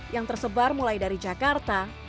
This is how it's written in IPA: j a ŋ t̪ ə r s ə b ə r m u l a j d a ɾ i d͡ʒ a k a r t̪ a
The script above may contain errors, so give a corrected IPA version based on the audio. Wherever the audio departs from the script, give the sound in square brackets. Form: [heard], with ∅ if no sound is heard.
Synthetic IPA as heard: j a ŋ t̪ ə r s ə b [a] r m u l a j d a ɾ i d͡ʒ a k a r t̪ a